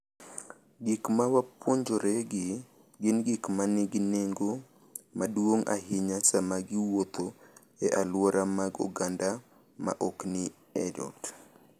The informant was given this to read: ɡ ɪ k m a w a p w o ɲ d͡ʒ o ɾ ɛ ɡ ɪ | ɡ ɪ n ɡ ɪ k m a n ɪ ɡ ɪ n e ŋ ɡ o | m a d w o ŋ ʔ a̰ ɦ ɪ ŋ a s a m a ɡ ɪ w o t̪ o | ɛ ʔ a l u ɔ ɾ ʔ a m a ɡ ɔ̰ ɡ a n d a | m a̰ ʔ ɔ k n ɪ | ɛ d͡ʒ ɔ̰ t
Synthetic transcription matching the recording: ɡ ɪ k m a w a p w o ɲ d͡ʒ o ɾ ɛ ɡ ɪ | ɡ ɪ n ɡ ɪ k m a n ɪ ɡ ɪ n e ŋ ɡ o | m a d w o ŋ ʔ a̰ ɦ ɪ ɲ a s a m a ɡ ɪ w o t̪ o | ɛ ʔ a l w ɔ ɾ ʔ a m a ɡ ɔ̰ ɡ a n d a | m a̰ ʔ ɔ k n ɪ | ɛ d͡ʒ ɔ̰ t